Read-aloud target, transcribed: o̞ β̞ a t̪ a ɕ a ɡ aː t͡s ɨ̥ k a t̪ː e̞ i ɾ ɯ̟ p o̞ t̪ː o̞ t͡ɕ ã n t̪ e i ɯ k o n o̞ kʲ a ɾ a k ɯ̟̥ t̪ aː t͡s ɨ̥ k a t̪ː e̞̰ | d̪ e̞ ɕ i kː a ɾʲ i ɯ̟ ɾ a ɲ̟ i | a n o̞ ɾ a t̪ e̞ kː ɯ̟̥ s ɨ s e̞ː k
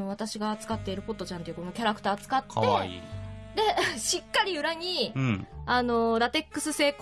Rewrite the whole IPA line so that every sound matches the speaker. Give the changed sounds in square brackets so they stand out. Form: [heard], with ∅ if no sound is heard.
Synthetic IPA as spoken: o̞ β̞ a t̪ a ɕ [i] ɡ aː t͡s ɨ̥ k a t̪ː e̞ i ɾ ɯ̟ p o̞ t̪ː o̞ t͡ɕ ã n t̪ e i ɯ k o n o̞ kʲ a ɾ a k ɯ̟̥ t̪ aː t͡s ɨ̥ k a t̪ː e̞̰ | d̪ e̞ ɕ i kː a ɾʲ i ɯ̟ ɾ a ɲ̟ i | a n o̞ ɾ a t̪ e̞ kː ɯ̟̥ s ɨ s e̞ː k